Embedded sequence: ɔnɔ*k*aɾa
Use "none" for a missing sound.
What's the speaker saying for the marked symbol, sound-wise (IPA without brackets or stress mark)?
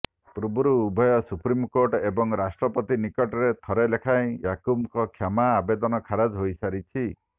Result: kʰ